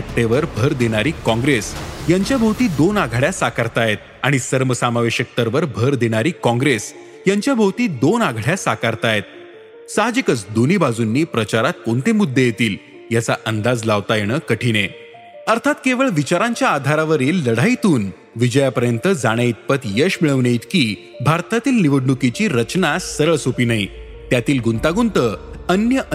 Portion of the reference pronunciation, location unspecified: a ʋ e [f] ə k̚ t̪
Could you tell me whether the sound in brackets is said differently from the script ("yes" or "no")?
yes